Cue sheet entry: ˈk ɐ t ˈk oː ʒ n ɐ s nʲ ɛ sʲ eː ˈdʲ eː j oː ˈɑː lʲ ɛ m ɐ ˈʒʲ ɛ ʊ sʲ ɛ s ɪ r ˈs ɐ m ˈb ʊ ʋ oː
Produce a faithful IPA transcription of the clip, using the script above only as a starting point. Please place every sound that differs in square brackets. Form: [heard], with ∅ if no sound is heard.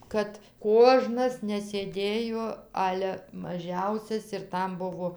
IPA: ˈk ɐ t ˈk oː ʒ n ɐ s nʲ ɛ sʲ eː ˈdʲ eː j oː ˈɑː lʲ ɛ m ɐ ˈʒʲ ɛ ʊ sʲ ɛ s ɪ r [ˈt] ɐ m ˈb ʊ ʋ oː